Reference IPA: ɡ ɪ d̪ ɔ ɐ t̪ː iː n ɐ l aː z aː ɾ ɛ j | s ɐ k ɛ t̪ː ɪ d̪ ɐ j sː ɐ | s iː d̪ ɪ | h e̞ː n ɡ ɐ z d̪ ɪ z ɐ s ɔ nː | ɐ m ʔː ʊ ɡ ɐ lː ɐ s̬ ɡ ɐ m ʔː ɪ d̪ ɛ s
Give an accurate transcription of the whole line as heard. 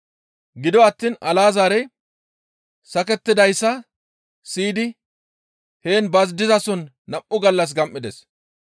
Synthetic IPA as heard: ɡ ɪ d̪ ɔ ɐ t̪ː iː n ɐ l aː z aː ɾ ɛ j | s ɐ k ɛ t̪ː ɪ d̪ ɐ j sː ɐ | s iː d̪ ɪ | h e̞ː n b ɐ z d̪ ɪ z ɐ s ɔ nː | ɐ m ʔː ʊ ɡ ɐ lː ɐ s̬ ɡ ɐ m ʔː ɪ d̪ ɛ s